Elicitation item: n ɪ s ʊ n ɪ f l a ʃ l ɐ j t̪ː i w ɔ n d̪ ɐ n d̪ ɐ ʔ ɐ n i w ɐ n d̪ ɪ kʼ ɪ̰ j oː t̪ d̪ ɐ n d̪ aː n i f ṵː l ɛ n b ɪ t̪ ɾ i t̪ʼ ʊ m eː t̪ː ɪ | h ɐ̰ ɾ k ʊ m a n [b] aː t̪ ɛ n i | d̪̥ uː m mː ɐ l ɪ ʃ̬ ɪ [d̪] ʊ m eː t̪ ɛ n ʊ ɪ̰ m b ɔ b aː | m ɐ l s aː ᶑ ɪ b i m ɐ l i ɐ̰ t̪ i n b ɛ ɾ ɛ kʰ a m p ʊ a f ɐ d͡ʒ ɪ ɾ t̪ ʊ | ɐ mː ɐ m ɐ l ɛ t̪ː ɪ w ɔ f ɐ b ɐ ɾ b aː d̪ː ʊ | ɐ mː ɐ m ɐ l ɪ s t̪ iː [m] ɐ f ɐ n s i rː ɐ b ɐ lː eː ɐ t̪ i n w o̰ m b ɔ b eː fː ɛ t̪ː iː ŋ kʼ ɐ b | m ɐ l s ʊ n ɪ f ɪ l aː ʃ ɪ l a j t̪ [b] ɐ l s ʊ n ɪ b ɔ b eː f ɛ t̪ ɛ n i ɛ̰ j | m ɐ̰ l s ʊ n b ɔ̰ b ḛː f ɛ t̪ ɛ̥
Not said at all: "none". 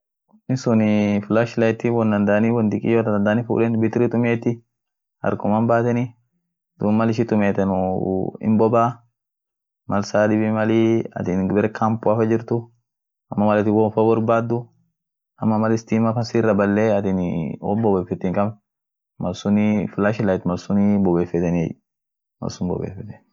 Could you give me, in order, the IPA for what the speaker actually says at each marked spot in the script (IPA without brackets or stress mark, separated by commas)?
b, t̪, m, m